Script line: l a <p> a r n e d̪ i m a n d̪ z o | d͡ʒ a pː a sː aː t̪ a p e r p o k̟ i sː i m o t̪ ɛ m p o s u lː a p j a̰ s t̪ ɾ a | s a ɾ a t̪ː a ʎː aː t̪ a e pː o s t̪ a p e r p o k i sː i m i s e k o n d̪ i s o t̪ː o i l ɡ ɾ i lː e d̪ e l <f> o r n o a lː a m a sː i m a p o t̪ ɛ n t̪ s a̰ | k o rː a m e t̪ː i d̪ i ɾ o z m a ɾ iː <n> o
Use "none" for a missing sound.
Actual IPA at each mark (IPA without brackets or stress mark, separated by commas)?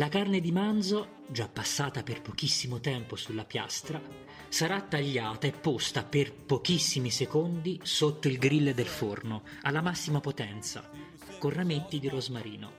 k, f, n